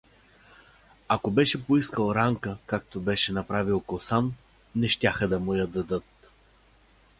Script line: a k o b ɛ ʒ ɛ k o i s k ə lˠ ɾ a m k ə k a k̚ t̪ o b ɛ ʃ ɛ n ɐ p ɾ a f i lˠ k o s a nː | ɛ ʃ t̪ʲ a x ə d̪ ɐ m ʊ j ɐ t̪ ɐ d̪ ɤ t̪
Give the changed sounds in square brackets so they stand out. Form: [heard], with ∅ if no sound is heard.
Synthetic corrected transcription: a k o b ɛ [ʃ] ɛ [p] o i s k ə lˠ ɾ a [ŋ] k ə k a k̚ t̪ o b ɛ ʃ ɛ n ɐ p ɾ a [v] i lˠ k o s a nː | ɛ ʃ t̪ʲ a x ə d̪ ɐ m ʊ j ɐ [d̪] ɐ d̪ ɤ t̪

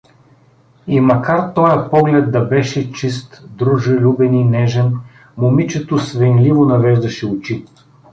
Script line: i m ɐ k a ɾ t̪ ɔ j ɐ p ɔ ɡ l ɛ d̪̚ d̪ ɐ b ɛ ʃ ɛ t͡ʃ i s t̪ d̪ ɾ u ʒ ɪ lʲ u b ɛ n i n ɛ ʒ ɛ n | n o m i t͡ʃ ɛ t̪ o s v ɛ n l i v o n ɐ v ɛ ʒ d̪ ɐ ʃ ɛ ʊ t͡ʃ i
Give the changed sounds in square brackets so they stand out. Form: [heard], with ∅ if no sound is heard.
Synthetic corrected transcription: i m ɐ k a ɾ t̪ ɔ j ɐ p ɔ ɡ l ɛ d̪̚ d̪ ɐ b ɛ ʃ ɛ t͡ʃ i s t̪ d̪ ɾ u ʒ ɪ lʲ u b ɛ n i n ɛ ʒ ɛ n | [m] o m i t͡ʃ ɛ t̪ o s v ɛ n l i v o n ɐ v ɛ ʒ d̪ ɐ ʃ ɛ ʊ t͡ʃ i

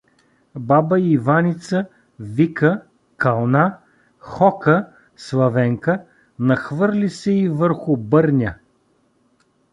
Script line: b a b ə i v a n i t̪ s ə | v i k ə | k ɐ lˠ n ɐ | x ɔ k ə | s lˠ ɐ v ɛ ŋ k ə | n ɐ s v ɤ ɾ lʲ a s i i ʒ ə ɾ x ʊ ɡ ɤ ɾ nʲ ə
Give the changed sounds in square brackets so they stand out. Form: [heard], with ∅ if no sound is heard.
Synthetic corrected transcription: b a b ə i v a n i t̪ s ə | v i k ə | k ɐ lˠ n [a] | x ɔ k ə | s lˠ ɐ v ɛ ŋ k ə | n ɐ [x] v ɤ ɾ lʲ [i] s [ɛ] i [v] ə ɾ x ʊ [b] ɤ ɾ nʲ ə

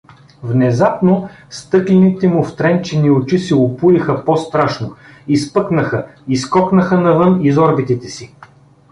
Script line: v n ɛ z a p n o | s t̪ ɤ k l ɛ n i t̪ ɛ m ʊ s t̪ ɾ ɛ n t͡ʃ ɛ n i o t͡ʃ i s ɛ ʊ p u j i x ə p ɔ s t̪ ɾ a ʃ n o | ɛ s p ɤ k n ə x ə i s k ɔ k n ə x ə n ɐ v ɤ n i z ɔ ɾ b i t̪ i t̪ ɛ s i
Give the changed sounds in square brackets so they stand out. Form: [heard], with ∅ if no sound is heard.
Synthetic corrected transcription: v n ɛ z a p n o | s t̪ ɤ k l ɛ n i t̪ ɛ m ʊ [f] t̪ ɾ ɛ n t͡ʃ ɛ n i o t͡ʃ i s ɛ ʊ p u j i x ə p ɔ s t̪ ɾ a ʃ n o | [i] s p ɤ k n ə x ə i s k ɔ k n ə x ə n ɐ v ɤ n i z ɔ ɾ b i t̪ i t̪ ɛ s i

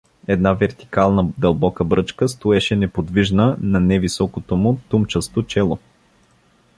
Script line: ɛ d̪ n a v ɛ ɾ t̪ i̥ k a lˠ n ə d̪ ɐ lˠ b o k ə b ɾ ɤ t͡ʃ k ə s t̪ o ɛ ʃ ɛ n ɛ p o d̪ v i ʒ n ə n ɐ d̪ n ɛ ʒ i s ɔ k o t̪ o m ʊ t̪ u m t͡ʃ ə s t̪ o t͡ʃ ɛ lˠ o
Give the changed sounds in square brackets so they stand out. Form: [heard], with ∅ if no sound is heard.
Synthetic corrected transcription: ɛ d̪ n a v ɛ ɾ t̪ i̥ k a lˠ n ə d̪ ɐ lˠ b [ɔ] k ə b ɾ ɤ t͡ʃ k ə s t̪ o ɛ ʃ ɛ n ɛ p o d̪ v i ʒ n ə n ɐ [∅] n ɛ [v] i s ɔ k o t̪ o m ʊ t̪ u m t͡ʃ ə s t̪ o t͡ʃ ɛ lˠ o

